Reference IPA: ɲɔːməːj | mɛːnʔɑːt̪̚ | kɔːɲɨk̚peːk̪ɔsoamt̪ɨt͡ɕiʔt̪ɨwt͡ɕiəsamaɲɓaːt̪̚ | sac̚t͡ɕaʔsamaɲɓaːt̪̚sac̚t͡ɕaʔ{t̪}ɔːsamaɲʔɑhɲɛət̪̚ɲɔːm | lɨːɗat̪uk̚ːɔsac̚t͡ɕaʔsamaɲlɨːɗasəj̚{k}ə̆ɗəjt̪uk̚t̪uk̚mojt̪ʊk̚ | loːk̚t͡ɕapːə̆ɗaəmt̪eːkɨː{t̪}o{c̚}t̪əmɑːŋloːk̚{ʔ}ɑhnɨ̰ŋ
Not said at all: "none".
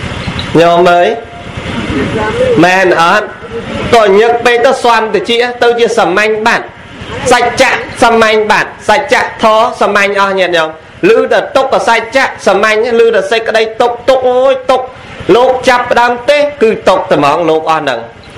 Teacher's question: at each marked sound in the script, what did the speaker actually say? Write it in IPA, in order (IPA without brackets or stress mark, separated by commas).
t̪ʰ, k, t̪, k̚, ʔ